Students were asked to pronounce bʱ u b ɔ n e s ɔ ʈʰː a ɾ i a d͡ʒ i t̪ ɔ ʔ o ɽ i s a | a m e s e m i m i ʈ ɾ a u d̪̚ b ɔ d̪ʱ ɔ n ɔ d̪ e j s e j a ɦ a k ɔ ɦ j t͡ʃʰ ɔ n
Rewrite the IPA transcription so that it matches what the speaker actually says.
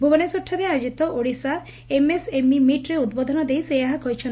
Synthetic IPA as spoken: bʱ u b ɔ n e s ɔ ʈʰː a ɾ e a d͡ʒ i t̪ ɔ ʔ o ɽ i s a | e m e s e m i m i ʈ ɾ e u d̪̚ b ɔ d̪ʱ ɔ n ɔ d̪ e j s e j a ɦ a k ɔ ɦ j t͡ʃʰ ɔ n

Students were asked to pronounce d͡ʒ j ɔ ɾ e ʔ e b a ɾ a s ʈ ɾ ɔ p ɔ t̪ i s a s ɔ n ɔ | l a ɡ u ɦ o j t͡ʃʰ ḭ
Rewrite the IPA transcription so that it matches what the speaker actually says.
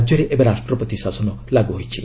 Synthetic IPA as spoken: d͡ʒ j ɔ ɾ e ʔ e b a ɾ a s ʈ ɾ ɔ p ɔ t̪ i s a s ɔ n ɔ | l a ɡ u ɦ o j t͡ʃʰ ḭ

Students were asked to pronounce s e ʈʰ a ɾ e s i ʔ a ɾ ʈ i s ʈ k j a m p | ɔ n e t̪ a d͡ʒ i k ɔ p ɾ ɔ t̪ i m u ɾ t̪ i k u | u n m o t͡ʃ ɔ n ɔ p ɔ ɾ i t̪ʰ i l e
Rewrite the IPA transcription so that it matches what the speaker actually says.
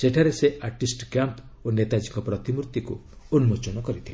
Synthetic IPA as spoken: s e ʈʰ a ɾ e s e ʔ a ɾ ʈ i s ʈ k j a m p | o n e t̪ a d͡ʒ i k ɔ p ɾ ɔ t̪ i m u ɾ t̪ i k u | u n m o t͡ʃ ɔ n ɔ k ɔ ɾ i t̪ʰ i l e

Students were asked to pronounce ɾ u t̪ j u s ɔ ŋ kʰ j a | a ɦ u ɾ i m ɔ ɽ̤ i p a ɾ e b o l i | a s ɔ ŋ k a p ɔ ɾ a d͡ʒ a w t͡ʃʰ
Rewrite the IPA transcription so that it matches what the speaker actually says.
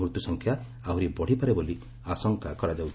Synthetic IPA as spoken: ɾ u t̪ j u s ɔ ŋ kʰ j a | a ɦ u ɾ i b ɔ ɽ̤ i p a ɾ e b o l i | a s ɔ ŋ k a k ɔ ɾ a d͡ʒ a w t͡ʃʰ

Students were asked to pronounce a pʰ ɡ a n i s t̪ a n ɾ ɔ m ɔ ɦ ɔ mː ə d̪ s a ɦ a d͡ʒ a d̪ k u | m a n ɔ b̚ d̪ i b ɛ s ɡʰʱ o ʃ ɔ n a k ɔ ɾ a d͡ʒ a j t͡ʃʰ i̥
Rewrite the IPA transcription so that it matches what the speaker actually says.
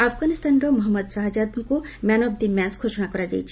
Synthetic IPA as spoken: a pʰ ɡ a n i s t̪ a n ɾ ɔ m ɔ ɦ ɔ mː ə d̪ s a ɦ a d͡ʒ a d̪ k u | m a n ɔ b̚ d̪ i m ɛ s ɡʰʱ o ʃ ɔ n a k ɔ ɾ a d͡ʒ a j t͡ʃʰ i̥

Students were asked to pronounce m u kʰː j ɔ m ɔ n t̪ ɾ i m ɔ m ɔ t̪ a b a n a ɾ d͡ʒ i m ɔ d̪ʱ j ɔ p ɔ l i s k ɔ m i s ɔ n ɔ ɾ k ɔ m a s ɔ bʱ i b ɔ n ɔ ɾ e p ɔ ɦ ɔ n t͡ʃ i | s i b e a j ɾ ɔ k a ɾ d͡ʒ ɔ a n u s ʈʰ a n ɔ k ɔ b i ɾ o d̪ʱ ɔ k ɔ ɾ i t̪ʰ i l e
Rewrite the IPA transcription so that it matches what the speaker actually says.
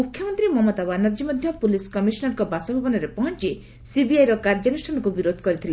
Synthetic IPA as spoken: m u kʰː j ɔ m ɔ n t̪ ɾ i m ɔ m ɔ t̪ a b a n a ɾ d͡ʒ i m ɔ d̪ʱ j ɔ p u l i s k ɔ m i s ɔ n ɔ ɾ k ɔ b a s ɔ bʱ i b ɔ n ɔ ɾ e p ɔ ɦ ɔ n t͡ʃ i | s i b i a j ɾ ɔ k a ɾ d͡ʒ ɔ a n u s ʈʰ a n ɔ k u b i ɾ o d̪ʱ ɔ k ɔ ɾ i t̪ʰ i l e

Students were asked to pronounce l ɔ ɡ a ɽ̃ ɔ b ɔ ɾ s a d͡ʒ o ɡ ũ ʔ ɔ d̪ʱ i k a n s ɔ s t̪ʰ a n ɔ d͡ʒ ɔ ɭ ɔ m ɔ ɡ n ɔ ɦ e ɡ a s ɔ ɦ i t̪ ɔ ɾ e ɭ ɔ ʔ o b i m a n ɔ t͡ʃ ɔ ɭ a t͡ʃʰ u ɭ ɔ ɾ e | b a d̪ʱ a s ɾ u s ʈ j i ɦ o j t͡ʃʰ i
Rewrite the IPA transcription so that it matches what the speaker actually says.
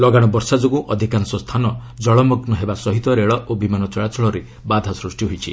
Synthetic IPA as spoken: l ɔ ɡ a ɽ̃ ɔ b ɔ ɾ s a d͡ʒ o ɡ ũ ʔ ɔ d̪ʱ i k a n s ɔ s t̪ʰ a n ɔ d͡ʒ ɔ ɭ ɔ m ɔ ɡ n ɔ ɦ e b a s ɔ ɦ i t̪ ɔ ɾ e ɭ ɔ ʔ o b i m a n ɔ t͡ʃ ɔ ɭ a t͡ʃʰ ɔ ɭ ɔ ɾ e | b a d̪ʱ a s ɾ u s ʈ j i ɦ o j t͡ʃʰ i

